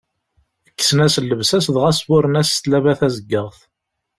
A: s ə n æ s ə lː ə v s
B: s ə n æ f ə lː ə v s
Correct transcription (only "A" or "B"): A